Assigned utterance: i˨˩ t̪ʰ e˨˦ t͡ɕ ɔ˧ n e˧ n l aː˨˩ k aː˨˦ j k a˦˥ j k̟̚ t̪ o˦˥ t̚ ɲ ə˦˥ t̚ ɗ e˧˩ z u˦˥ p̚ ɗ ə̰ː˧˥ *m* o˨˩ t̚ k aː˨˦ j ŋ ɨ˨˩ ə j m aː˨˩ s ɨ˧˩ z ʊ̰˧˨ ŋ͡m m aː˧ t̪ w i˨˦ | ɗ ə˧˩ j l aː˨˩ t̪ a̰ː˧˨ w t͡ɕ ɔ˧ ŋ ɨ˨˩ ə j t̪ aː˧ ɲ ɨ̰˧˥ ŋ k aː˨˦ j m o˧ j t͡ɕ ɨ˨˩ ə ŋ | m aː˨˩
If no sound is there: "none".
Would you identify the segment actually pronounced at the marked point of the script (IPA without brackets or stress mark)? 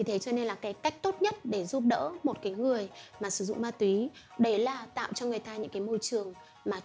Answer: m